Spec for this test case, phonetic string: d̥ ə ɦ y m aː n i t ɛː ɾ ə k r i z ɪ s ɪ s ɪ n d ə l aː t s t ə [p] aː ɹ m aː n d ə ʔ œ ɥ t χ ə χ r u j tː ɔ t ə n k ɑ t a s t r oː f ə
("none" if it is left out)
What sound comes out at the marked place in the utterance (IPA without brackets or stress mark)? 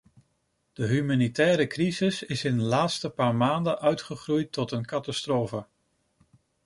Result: p